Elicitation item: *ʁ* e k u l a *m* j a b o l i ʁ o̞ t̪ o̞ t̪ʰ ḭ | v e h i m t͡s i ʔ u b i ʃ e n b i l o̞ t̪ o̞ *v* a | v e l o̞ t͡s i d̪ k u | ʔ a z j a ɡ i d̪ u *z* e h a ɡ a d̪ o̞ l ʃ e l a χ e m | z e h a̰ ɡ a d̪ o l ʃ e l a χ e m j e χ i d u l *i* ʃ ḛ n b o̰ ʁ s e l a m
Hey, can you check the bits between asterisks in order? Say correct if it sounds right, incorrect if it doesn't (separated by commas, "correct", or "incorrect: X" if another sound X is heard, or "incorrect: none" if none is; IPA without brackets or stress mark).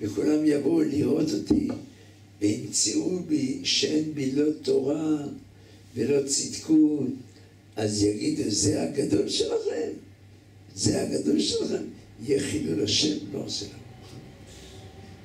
incorrect: v, correct, incorrect: ʁ, correct, incorrect: a